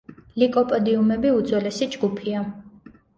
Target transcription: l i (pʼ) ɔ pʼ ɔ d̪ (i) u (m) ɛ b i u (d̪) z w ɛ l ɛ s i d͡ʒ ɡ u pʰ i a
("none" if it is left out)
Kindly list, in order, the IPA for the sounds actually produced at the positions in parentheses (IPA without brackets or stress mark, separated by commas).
kʼ, i, m, d̪